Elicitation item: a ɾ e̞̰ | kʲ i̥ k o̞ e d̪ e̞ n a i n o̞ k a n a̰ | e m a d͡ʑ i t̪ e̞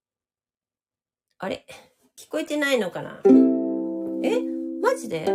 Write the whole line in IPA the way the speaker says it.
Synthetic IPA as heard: a ɾ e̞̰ | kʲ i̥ k o̞ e t̪ e̞ n a i n o̞ k a n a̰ | e m a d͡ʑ i d̪ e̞